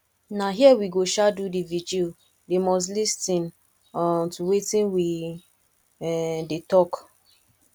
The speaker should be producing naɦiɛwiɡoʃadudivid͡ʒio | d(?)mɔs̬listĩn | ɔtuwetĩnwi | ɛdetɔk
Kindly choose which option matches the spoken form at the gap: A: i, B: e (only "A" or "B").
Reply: B